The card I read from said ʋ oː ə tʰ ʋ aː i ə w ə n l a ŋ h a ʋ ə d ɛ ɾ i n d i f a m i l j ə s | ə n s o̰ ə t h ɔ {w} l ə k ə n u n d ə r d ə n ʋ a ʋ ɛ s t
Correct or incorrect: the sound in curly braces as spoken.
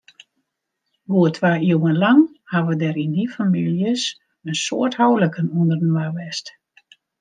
correct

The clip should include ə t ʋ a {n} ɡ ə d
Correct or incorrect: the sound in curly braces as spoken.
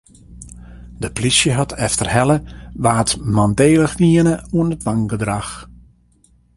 incorrect: ŋ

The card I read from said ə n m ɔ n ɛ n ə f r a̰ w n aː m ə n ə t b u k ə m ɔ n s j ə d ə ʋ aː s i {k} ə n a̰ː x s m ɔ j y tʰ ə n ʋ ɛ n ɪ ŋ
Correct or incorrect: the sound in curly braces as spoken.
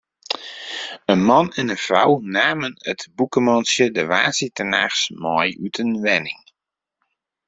incorrect: t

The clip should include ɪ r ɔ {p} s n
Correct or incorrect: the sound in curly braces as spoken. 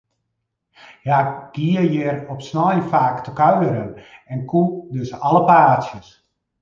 correct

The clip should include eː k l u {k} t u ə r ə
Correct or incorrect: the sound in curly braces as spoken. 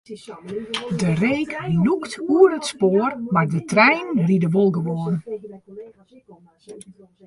correct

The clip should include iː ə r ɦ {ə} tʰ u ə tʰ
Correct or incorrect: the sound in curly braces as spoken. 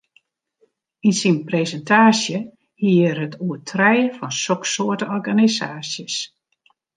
correct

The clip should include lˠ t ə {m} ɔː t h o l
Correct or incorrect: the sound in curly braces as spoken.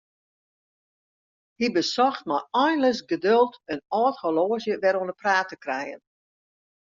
incorrect: n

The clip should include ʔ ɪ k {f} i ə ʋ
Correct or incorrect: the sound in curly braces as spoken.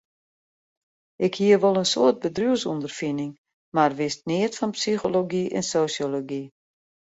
incorrect: h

